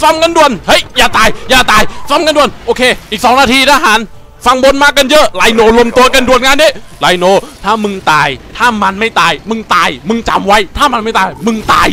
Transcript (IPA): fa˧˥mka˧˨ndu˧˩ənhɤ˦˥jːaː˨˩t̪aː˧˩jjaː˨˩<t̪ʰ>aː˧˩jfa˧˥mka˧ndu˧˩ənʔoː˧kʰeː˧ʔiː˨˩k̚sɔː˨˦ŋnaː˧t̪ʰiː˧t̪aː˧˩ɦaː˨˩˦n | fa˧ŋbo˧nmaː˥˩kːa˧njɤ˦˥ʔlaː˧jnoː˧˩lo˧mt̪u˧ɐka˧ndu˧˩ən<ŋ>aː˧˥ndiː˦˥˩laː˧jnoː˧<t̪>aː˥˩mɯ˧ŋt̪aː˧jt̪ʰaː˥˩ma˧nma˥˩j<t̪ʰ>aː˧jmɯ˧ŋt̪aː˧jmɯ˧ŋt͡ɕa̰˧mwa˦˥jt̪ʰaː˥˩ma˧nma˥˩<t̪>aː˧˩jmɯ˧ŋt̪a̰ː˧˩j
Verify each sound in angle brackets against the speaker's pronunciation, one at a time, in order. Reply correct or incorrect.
incorrect: t̪, correct, incorrect: t̪ʰ, incorrect: t̪, correct

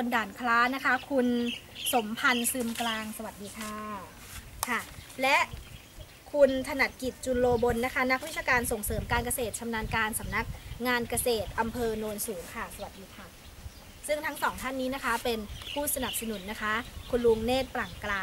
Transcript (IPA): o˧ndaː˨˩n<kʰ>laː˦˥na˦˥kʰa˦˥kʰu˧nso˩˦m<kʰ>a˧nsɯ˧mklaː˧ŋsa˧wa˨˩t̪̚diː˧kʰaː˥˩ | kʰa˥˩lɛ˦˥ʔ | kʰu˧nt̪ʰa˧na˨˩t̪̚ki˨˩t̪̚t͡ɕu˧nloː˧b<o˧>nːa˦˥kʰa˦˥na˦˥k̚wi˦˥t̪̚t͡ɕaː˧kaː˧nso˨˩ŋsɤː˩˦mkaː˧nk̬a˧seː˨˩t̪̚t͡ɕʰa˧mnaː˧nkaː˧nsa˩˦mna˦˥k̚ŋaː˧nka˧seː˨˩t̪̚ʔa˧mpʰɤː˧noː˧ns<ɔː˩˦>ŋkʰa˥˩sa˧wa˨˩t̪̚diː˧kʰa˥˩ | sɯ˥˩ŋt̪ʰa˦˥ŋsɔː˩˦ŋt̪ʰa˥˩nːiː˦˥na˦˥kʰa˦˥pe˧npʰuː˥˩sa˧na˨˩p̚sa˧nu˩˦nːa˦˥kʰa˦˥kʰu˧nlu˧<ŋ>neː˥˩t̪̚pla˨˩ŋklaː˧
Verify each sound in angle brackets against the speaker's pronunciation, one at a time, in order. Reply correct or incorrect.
correct, incorrect: pʰ, correct, incorrect: uː˩˦, correct

